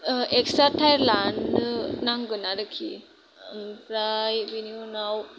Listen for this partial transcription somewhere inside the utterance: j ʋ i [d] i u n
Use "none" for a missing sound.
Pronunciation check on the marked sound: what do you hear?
n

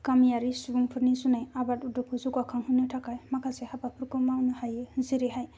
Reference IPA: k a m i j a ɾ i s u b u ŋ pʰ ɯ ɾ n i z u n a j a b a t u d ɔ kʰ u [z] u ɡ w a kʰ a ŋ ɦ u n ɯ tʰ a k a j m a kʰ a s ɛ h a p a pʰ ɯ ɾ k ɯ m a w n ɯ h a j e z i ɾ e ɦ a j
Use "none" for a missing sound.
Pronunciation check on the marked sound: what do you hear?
z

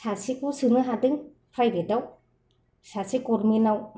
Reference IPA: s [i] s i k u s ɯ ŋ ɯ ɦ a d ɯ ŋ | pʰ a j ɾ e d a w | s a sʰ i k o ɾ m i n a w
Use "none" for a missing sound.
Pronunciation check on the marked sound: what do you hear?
a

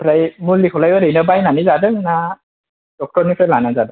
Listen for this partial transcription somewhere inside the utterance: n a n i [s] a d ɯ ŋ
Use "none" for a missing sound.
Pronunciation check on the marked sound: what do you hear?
z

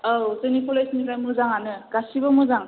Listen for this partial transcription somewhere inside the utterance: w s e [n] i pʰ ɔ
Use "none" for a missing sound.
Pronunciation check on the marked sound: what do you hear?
n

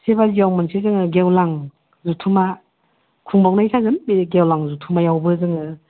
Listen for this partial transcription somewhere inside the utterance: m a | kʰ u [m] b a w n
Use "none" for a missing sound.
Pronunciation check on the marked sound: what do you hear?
ŋ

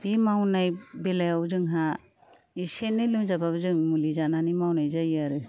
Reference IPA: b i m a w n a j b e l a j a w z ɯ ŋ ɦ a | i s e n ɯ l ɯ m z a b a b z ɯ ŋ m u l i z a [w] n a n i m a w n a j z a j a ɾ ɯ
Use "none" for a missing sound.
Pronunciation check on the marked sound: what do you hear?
none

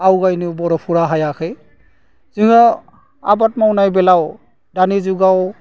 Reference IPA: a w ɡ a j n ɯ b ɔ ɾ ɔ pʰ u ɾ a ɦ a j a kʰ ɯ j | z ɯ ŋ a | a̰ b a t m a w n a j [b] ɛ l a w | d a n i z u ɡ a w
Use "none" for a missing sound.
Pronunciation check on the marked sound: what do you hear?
b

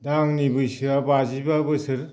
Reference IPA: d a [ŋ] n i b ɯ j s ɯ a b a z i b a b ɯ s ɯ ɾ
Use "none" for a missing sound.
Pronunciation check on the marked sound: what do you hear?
ŋ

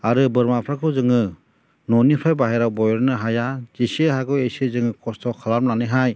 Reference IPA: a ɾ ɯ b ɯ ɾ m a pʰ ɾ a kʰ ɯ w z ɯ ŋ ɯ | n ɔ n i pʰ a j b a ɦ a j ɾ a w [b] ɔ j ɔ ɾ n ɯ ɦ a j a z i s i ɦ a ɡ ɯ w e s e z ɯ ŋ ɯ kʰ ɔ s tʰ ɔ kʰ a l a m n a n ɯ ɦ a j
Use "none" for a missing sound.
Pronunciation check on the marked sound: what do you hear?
b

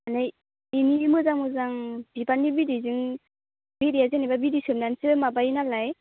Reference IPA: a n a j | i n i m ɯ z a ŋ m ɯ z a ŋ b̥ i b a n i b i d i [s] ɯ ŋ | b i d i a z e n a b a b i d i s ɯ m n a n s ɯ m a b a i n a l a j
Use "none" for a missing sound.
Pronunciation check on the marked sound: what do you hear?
z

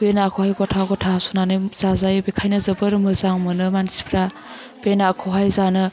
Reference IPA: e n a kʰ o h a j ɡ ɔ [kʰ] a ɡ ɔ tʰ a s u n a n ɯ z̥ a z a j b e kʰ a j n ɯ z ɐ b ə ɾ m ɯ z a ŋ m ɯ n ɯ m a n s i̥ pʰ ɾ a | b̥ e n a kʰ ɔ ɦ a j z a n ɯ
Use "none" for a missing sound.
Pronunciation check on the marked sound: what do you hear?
tʰ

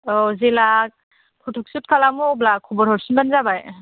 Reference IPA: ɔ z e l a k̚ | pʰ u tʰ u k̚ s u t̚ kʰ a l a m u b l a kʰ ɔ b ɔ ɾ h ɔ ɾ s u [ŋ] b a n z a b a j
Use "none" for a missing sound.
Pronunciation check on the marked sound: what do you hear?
n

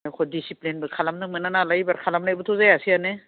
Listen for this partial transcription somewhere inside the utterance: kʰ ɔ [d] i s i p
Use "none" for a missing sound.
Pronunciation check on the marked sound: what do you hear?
d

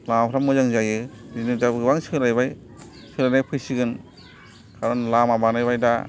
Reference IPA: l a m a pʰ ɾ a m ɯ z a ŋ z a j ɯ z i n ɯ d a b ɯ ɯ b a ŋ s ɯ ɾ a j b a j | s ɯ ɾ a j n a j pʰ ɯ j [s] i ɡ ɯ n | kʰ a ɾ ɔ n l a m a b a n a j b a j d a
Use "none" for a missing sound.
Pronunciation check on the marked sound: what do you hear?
s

